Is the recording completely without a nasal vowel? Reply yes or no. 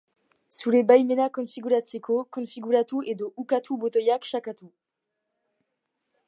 no